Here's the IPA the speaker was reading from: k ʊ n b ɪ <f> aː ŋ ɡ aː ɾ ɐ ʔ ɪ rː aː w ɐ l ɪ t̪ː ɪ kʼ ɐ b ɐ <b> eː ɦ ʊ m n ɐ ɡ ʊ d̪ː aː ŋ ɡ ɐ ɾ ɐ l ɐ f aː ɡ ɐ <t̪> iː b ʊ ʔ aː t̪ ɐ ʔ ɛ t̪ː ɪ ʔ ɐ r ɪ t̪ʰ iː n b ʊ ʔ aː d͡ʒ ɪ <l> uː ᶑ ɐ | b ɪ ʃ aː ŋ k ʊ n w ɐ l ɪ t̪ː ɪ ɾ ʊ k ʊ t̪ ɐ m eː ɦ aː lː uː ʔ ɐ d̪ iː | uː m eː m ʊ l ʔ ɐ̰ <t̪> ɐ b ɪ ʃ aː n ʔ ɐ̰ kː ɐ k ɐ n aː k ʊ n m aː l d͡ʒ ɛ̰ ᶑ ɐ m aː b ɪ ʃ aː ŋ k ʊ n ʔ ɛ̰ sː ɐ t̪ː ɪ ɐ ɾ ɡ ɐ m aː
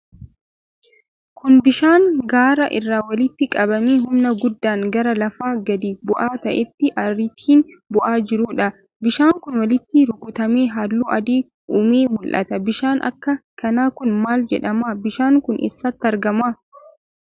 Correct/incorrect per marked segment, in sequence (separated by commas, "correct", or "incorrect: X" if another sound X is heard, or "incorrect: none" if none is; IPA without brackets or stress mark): incorrect: ʃ, incorrect: m, incorrect: d̪, incorrect: ɾ, correct